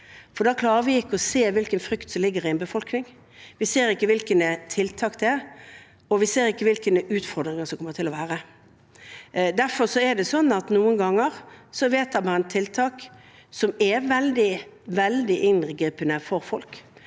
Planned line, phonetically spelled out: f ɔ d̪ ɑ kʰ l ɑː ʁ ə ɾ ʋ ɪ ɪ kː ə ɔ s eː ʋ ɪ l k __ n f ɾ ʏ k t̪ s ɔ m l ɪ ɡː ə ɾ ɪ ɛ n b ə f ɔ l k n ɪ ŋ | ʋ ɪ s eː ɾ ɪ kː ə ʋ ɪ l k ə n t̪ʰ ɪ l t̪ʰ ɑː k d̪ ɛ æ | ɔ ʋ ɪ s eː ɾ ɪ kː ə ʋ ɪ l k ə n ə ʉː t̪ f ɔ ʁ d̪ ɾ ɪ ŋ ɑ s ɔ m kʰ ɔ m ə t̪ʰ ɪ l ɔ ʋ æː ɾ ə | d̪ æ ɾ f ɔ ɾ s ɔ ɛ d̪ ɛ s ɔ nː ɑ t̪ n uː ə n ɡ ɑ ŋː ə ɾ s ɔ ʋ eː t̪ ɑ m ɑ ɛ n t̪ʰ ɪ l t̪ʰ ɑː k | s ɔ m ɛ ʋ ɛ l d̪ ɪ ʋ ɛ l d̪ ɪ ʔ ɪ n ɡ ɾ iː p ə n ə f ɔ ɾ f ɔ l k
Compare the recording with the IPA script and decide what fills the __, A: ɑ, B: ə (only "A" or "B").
B